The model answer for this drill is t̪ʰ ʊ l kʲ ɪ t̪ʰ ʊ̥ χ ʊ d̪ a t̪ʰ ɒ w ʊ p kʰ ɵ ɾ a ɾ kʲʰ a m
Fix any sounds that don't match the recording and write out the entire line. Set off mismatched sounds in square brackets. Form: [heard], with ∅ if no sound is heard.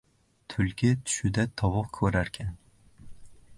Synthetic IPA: t̪ʰ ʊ l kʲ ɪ t̪ʰ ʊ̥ [ʃ] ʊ d̪ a t̪ʰ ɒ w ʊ [q] kʰ ɵ ɾ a ɾ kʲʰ a [n]